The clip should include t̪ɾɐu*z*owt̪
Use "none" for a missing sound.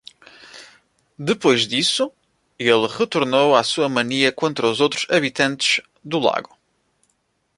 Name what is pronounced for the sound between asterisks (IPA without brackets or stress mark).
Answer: z